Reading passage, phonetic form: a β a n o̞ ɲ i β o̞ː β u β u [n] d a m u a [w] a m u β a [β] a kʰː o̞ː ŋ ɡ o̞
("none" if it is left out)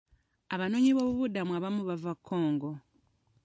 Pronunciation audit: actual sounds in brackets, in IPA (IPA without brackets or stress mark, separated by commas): none, β, v